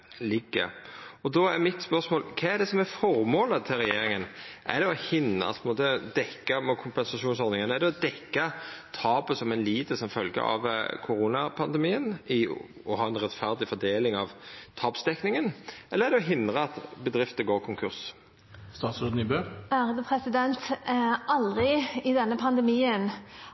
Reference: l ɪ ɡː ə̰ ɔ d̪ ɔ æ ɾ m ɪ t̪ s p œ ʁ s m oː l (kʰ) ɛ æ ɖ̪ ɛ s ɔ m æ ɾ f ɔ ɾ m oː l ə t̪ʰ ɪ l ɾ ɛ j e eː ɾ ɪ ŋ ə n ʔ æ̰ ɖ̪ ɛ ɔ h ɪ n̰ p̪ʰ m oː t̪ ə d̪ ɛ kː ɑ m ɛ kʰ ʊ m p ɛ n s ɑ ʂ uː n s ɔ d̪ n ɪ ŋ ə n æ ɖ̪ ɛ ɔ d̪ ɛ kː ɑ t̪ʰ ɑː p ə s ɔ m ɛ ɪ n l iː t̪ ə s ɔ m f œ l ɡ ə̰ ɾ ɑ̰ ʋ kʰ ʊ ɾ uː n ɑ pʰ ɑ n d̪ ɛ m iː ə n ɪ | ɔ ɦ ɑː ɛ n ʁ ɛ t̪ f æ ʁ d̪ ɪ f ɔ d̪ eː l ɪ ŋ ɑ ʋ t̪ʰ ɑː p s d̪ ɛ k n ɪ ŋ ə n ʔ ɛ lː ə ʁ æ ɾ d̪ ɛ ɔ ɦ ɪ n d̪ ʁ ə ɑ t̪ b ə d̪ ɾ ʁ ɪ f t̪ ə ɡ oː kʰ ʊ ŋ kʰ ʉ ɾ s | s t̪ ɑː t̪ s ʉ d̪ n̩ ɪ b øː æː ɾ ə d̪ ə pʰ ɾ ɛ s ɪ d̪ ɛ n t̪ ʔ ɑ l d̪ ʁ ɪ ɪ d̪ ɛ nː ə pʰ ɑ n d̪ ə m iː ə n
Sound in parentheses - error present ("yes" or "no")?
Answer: no